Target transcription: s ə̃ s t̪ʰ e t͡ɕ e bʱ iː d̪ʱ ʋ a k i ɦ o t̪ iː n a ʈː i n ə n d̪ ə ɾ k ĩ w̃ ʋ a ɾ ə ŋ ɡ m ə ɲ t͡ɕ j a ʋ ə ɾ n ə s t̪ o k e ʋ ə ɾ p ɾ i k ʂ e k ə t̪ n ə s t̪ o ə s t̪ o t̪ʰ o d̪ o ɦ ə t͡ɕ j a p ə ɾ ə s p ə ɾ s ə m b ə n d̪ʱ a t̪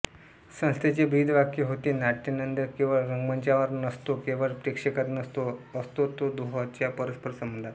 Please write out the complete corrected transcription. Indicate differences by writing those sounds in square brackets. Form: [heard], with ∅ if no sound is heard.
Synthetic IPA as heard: s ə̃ s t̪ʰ e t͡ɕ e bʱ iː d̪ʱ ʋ a k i ɦ o t̪ iː n a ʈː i n ə n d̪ ə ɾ k ĩ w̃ ʋ a ɾ ə ŋ ɡ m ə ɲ t͡ɕ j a ʋ ə ɾ n ə s t̪ o k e ʋ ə ɾ p ɾ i k ʂ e k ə t̪ n ə s t̪ o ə s t̪ o [t̪] o d̪ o ɦ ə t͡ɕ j a p ə ɾ ə s p ə ɾ s ə m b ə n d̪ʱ a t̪

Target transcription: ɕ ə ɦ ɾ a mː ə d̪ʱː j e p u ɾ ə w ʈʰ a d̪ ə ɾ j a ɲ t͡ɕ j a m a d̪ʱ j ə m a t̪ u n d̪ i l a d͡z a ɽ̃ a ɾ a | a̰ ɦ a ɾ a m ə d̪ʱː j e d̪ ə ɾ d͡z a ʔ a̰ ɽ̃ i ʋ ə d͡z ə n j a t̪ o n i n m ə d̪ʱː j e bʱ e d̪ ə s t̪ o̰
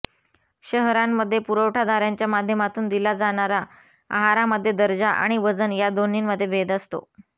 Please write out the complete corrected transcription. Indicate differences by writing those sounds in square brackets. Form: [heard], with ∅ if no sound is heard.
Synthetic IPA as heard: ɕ ə ɦ ɾ a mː ə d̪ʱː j e p u ɾ ə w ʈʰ a d̪ [a] ɾ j a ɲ t͡ɕ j a m a d̪ʱ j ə m a t̪ [uː] n d̪ i l a d͡z a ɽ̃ a ɾ a | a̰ ɦ a ɾ a m ə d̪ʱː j e d̪ ə ɾ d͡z a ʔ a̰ ɽ̃ i ʋ ə d͡z ə n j a [d̪] o n i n m ə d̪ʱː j e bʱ e d̪ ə s t̪ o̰

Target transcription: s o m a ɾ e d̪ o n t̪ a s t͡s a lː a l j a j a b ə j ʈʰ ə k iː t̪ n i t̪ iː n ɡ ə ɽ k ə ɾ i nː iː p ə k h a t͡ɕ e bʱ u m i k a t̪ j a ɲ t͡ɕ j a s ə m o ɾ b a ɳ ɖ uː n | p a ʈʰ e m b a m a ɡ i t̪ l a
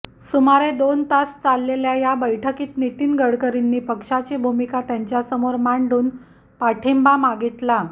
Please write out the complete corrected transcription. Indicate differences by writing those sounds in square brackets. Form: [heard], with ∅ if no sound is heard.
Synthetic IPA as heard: s [u] m a ɾ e d̪ o n t̪ a s t͡s a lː [e] l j a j a b ə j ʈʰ ə k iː t̪ n i t̪ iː n ɡ ə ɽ k ə ɾ i nː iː p ə k [ʂ] a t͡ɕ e bʱ u m i k a t̪ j a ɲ t͡ɕ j a s ə m o ɾ [m] a ɳ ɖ uː n | p a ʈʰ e m b a m a ɡ i t̪ l a

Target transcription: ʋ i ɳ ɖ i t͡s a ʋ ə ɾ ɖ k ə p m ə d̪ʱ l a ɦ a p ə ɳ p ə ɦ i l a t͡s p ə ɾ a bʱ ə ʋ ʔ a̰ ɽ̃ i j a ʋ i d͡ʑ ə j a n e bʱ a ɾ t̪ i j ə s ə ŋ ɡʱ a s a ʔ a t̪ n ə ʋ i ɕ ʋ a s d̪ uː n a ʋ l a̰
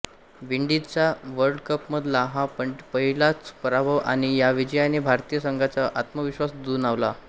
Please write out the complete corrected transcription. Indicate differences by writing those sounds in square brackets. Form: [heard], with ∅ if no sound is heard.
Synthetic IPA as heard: ʋ i ɳ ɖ i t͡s a ʋ ə ɾ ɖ k ə p m ə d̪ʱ l a ɦ a p ə ɳ p ə ɦ i l a t͡s p ə ɾ a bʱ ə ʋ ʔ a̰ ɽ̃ i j a ʋ i d͡ʑ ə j a n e bʱ a ɾ t̪ i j ə s ə ŋ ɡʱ a [t͡s] a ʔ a t̪ [m] ə ʋ i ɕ ʋ a s d̪ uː n a ʋ l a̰

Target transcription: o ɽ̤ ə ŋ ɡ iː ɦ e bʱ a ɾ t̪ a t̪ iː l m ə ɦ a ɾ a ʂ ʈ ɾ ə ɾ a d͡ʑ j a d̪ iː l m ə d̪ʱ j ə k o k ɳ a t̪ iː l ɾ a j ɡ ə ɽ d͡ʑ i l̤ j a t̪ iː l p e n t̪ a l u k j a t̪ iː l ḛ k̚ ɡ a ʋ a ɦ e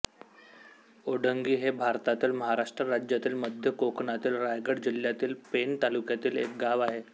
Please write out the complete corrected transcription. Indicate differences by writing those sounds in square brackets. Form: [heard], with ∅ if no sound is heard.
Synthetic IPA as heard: o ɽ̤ ə ŋ ɡ iː ɦ e bʱ a ɾ t̪ a t̪ iː l m ə ɦ a ɾ a ʂ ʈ ɾ ə ɾ a d͡ʑ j a [t̪] iː l m ə d̪ʱ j ə k o k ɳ a t̪ iː l ɾ a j ɡ ə ɽ d͡ʑ i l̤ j a t̪ iː l p e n t̪ a l u k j a t̪ iː l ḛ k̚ ɡ a ʋ a ɦ e

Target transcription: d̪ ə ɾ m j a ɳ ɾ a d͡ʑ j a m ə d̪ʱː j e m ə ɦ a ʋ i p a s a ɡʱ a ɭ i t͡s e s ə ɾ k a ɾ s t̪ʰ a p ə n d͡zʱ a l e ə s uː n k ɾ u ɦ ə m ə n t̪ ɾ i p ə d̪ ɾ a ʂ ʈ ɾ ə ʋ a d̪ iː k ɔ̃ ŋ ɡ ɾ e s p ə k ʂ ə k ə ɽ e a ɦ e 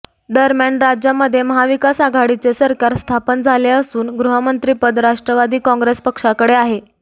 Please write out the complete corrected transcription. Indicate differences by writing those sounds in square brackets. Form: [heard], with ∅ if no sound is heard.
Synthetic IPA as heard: d̪ ə ɾ m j a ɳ ɾ a d͡ʑ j a m ə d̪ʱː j e m ə ɦ a ʋ i [k] a s a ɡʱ a [ɽ] i t͡s e s ə ɾ k a ɾ s t̪ʰ a p ə n d͡zʱ a l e ə s uː n [ɡ] ɾ u ɦ ə m ə n t̪ ɾ i p ə d̪ ɾ a ʂ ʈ ɾ ə ʋ a d̪ iː k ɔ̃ ŋ ɡ ɾ e s p ə k ʂ [a] k ə ɽ e a ɦ e

